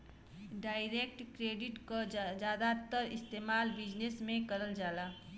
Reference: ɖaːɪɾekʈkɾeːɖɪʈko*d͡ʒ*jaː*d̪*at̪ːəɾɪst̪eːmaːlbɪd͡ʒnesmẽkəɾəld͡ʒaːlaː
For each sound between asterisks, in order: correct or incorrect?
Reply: correct, correct

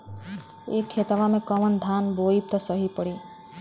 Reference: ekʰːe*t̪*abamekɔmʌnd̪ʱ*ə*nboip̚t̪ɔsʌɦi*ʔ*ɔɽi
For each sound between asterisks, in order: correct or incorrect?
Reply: correct, incorrect: a, incorrect: p

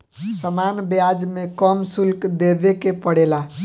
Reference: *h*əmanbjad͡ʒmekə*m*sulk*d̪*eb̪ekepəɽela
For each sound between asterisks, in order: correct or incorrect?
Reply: incorrect: s, correct, correct

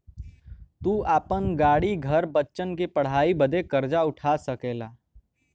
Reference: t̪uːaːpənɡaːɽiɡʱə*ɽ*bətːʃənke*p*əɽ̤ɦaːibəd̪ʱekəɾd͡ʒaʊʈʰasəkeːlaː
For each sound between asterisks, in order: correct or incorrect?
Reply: incorrect: ɾ, correct

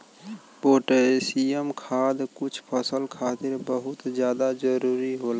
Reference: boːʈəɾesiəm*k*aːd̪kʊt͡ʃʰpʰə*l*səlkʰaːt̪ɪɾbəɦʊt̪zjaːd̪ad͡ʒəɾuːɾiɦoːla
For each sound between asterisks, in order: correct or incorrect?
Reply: incorrect: kʰ, incorrect: none

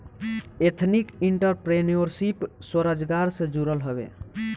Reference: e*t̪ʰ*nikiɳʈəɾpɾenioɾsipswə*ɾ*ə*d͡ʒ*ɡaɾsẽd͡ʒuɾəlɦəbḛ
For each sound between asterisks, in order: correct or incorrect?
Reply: correct, correct, correct

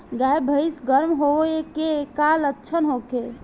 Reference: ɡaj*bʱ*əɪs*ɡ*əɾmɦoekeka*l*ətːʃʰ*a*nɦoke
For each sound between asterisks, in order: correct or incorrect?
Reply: correct, correct, correct, incorrect: ə

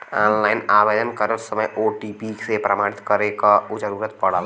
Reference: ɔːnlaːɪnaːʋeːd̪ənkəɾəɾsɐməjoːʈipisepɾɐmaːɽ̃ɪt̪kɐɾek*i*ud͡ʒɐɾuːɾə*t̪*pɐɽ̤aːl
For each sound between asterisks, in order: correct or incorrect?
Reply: incorrect: a, correct

